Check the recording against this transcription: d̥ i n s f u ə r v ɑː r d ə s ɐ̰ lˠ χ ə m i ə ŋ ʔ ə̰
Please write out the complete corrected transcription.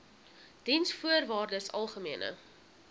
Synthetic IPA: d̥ i n s f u ə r v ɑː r d ə s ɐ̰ lˠ χ ə m i ə n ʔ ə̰